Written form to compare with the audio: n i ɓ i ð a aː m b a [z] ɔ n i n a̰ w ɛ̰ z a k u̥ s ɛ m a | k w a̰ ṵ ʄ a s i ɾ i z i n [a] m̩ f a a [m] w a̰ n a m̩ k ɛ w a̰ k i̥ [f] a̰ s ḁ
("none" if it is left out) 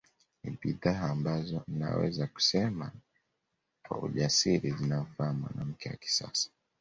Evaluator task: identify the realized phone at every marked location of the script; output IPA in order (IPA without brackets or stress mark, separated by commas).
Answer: z, a, m, s